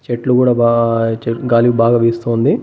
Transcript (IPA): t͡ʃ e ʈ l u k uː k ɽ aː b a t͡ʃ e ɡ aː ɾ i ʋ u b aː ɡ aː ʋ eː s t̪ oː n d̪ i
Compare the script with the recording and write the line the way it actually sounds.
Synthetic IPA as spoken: t͡ʃ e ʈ l u k uː ɽ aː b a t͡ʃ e ɡ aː l i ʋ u b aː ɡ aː ʋ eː s t̪ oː n d̪ i